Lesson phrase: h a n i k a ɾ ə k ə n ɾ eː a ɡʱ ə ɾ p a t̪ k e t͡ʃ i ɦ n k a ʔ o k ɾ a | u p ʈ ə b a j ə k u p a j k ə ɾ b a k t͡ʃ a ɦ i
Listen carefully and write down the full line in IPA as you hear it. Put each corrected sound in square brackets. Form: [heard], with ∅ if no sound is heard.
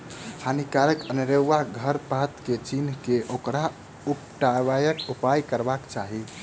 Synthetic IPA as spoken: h a n i k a ɾ ə k ə n ɾ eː a ɡʱ ə ɾ p a t̪ k e t͡ʃ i [∅] n k [e] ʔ o k ɾ a | u p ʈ [a] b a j ə k u p a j k ə ɾ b a k t͡ʃ a ɦ i